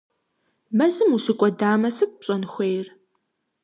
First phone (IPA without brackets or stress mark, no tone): m